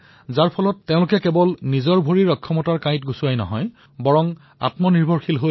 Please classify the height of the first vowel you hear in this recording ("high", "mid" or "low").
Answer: low